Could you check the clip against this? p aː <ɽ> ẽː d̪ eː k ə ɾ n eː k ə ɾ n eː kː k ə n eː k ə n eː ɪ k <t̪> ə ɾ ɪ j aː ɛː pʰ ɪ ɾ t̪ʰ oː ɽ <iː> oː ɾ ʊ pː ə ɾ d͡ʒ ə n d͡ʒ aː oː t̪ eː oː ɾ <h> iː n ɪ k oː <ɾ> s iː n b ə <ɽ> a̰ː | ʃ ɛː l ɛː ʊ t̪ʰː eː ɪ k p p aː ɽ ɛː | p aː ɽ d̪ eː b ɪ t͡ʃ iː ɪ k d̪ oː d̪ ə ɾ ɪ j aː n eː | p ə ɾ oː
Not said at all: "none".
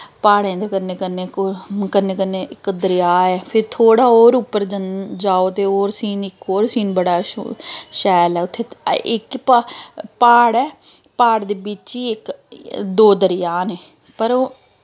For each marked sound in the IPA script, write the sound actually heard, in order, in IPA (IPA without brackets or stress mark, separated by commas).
ɽ, d̪, aː, s, ɾ, ɽ